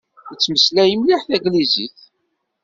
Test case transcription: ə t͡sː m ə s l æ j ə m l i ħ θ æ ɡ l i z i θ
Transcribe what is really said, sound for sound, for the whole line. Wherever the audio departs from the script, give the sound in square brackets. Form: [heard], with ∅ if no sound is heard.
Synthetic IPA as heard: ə t͡sː m ə s l æ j ə m l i ħ θ æ ɡ l i z i θ